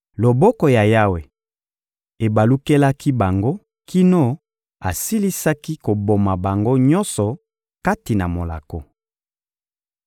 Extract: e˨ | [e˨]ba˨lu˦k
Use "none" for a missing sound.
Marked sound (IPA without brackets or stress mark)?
e˨